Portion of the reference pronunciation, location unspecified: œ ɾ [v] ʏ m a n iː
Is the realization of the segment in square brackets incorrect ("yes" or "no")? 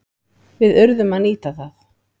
yes